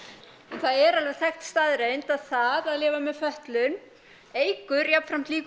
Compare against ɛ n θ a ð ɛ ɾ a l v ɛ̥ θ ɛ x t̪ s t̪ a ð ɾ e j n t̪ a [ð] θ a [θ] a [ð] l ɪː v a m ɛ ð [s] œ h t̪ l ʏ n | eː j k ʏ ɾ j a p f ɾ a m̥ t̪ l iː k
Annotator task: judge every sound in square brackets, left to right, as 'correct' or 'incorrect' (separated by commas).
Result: correct, incorrect, correct, incorrect